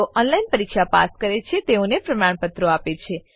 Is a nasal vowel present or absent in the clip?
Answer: absent